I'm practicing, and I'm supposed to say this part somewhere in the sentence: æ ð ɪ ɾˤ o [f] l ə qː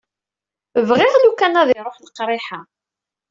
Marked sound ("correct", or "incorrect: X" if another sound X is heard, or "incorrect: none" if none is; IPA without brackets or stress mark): incorrect: ħ